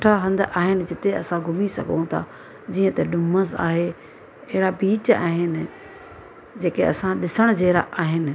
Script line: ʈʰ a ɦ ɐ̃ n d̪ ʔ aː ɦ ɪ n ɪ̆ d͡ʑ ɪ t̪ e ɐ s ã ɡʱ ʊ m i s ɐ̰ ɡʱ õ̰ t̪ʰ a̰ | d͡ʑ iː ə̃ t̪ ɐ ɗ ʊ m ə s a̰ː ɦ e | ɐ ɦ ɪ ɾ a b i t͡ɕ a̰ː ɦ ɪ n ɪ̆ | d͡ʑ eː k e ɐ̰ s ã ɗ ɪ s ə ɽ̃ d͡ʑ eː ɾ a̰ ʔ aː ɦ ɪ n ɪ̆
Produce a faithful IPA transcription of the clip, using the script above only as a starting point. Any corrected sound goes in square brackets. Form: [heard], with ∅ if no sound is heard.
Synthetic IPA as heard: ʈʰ a ɦ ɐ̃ n d̪ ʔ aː ɦ ɪ n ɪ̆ d͡ʑ ɪ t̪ e ɐ s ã ɡʱ ʊ m i s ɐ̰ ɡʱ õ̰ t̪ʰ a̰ | d͡ʑ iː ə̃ t̪ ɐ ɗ ʊ m ə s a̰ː ɦ e | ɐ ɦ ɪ ɾ a b [iː] t͡ɕ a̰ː ɦ ɪ n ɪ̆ | d͡ʑ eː k e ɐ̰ s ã ɗ ɪ s ə ɽ̃ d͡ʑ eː ɾ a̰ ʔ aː ɦ ɪ n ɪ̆

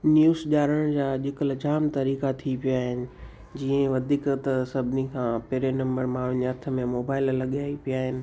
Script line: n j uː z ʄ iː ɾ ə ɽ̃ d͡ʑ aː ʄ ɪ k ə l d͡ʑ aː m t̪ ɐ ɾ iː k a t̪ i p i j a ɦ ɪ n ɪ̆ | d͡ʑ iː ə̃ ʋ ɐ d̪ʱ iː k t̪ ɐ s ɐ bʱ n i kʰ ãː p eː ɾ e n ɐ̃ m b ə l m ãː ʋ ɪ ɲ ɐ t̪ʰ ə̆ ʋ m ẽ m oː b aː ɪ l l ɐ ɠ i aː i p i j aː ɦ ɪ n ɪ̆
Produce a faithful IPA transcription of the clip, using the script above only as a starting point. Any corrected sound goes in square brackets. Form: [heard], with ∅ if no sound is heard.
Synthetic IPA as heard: n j uː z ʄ [aː] ɾ ə ɽ̃ d͡ʑ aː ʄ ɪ k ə l d͡ʑ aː m t̪ ɐ ɾ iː k a [t̪ʰ] i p i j a ɦ ɪ n ɪ̆ | d͡ʑ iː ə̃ ʋ ɐ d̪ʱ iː k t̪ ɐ s ɐ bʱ n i kʰ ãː p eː ɾ e n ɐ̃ m b ə [ɾ] m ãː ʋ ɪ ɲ ɐ t̪ʰ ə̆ [∅] m ẽ m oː b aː ɪ l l ɐ ɠ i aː i p i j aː ɦ ɪ n ɪ̆

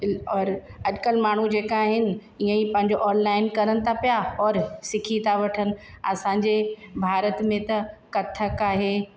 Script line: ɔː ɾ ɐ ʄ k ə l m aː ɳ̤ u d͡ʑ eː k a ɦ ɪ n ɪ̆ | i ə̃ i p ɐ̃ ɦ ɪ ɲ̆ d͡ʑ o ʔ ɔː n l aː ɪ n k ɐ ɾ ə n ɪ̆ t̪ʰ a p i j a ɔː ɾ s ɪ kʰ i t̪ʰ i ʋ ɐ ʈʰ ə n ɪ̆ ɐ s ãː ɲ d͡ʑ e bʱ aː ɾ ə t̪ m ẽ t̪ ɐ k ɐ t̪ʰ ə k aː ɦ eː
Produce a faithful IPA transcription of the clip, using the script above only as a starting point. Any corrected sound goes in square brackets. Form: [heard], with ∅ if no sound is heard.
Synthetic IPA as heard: ɔː ɾ ɐ ʄ k ə l m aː ɳ̤ u d͡ʑ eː k a ɦ ɪ n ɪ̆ | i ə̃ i p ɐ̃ ɦ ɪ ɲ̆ d͡ʑ o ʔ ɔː n l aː ɪ n k ɐ ɾ ə n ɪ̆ t̪ʰ a p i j a ɔː ɾ s ɪ kʰ i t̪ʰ [a] ʋ ɐ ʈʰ ə n ɪ̆ ɐ s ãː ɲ d͡ʑ e bʱ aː ɾ ə t̪ m ẽ t̪ ɐ k ɐ t̪ʰ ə k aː ɦ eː

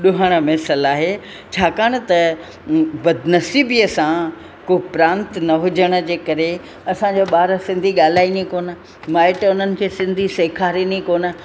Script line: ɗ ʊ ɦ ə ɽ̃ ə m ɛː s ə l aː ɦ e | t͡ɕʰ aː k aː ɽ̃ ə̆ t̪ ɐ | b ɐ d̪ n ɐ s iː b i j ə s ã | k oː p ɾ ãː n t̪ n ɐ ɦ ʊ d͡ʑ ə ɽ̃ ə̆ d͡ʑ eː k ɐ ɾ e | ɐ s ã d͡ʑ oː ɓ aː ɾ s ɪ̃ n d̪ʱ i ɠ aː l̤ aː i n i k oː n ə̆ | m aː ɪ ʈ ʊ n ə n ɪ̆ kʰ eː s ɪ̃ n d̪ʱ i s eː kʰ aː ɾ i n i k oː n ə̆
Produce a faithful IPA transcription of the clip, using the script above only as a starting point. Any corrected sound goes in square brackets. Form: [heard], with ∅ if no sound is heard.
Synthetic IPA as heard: ɗ ʊ ɦ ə ɽ̃ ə m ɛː s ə l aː ɦ e | t͡ɕʰ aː k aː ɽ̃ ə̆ t̪ ɐ | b ɐ d̪ n ɐ s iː b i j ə s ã | k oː p ɾ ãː n t̪ n ɐ ɦ ʊ d͡ʑ ə ɽ̃ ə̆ d͡ʑ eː k ɐ ɾ e | ɐ s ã d͡ʑ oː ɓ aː ɾ s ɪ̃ n d̪ʱ i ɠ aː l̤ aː i n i k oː n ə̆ | m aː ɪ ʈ ʊ n ə n ɪ̆ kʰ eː s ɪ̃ n d̪ʱ i s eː kʰ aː ɾ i n i k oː n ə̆

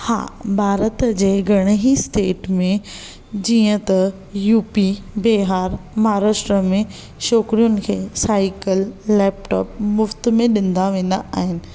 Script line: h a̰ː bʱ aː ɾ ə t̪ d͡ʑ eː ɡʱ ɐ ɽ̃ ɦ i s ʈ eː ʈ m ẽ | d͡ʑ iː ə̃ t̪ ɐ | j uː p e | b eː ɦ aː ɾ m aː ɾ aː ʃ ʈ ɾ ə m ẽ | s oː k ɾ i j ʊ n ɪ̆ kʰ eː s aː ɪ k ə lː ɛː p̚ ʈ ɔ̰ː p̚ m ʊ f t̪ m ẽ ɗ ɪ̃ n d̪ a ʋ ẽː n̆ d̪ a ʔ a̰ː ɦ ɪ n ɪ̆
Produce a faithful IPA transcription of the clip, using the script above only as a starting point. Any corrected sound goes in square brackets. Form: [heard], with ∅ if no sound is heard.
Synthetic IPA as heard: h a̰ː bʱ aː ɾ ə t̪ d͡ʑ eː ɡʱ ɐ ɽ̃ ɦ i s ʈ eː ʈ m ẽ | d͡ʑ iː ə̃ t̪ ɐ | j uː p [i] | b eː ɦ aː ɾ m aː ɾ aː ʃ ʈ ɾ ə m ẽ | [ʃ] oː k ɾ i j ʊ n ɪ̆ kʰ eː s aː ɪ k ə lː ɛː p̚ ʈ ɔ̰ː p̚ m ʊ f t̪ m ẽ ɗ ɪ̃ n d̪ a ʋ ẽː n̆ d̪ a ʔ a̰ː ɦ ɪ n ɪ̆

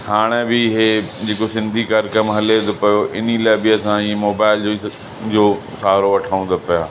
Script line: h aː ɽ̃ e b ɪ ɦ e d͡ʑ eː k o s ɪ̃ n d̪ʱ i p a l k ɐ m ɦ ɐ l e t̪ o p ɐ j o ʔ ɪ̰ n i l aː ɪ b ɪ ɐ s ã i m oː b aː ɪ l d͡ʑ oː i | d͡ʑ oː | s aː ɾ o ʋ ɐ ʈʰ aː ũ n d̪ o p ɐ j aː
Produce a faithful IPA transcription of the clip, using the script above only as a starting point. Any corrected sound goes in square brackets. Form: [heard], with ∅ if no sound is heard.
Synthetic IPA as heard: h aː ɽ̃ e b ɪ ɦ e d͡ʑ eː k o s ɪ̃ n d̪ʱ i [k] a [ɾ] k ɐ m ɦ ɐ l e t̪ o p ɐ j o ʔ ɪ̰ n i l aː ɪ b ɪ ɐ s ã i m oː b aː ɪ l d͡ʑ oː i | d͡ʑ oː | s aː ɾ o ʋ ɐ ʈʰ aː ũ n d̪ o p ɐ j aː

